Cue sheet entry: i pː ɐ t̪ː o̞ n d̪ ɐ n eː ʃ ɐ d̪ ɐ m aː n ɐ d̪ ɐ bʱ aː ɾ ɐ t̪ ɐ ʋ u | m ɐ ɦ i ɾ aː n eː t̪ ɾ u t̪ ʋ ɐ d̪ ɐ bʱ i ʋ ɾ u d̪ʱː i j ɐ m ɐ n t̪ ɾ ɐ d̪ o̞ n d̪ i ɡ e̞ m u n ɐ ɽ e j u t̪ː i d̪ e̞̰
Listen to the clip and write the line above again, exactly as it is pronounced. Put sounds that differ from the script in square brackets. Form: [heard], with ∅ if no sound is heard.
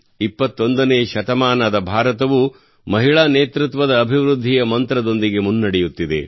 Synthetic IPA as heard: i pː ɐ t̪ː o̞ n d̪ ɐ n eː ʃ ɐ [t̪] ɐ m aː n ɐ d̪ ɐ bʱ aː ɾ ɐ t̪ ɐ ʋ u | m ɐ ɦ i [ɭ] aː n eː t̪ ɾ u t̪ ʋ ɐ d̪ [ɐː] bʱ i ʋ ɾ u d̪ʱː i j ɐ m ɐ n t̪ ɾ ɐ d̪ o̞ n d̪ i ɡ e̞ m u [nː] ɐ ɽ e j u t̪ː i d̪ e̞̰